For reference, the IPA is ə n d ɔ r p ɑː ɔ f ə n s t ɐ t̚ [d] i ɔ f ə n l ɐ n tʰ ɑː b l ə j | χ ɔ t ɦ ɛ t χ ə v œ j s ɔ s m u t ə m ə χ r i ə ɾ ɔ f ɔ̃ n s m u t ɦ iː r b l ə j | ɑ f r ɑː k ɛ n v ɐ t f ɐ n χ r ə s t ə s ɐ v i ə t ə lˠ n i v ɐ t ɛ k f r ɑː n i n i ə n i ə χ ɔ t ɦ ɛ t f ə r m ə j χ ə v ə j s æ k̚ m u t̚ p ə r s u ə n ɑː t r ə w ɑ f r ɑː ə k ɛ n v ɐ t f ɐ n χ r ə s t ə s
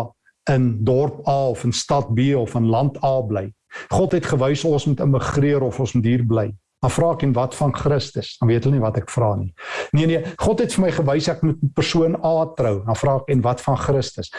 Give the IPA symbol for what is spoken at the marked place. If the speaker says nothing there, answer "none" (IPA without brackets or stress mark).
b